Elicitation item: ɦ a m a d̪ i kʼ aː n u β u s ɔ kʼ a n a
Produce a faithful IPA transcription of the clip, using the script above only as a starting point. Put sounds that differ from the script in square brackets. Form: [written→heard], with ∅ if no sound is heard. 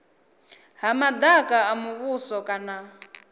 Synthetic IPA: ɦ a m a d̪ [i→a] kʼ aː [n→m] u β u s ɔ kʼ a n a